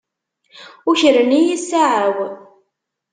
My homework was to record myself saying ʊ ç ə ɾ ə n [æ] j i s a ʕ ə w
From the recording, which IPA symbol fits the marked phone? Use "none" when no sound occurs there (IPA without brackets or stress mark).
i